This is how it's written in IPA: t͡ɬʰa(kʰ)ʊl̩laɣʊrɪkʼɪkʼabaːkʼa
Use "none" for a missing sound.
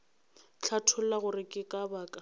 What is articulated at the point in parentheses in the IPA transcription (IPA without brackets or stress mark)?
tʰ